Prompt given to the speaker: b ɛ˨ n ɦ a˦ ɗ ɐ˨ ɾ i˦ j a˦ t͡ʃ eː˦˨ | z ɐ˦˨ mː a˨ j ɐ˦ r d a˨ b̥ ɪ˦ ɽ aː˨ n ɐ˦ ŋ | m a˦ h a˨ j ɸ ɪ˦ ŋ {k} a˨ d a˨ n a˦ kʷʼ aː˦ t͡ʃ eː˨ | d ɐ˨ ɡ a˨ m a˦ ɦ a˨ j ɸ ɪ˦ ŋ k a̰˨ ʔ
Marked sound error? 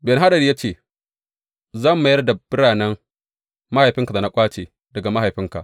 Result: no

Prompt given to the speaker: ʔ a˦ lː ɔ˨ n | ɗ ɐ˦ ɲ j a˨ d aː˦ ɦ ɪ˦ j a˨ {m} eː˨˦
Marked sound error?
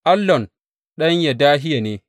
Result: yes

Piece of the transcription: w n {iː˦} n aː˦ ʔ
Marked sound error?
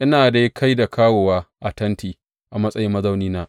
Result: no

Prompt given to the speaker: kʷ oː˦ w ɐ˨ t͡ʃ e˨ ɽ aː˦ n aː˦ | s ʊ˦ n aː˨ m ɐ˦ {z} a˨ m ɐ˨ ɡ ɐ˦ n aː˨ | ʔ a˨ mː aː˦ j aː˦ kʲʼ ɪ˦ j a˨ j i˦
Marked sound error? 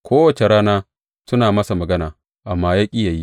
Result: yes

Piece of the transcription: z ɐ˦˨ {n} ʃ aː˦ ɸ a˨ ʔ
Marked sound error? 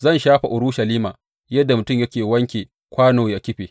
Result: no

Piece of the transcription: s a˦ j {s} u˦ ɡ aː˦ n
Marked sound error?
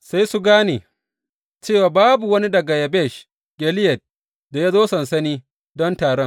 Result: no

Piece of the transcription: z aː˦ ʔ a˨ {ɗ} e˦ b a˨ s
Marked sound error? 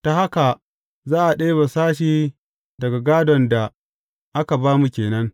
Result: no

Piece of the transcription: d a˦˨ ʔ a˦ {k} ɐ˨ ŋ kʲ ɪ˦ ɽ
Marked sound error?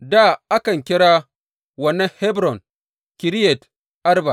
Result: no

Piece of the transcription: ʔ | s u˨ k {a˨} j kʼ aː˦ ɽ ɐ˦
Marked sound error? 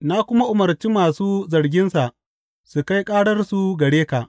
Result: yes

